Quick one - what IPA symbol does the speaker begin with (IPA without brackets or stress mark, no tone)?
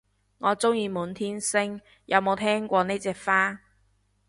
ŋ